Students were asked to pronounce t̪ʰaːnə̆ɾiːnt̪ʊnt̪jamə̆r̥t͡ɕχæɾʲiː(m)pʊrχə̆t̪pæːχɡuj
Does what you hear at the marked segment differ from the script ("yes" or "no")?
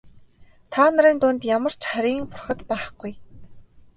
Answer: yes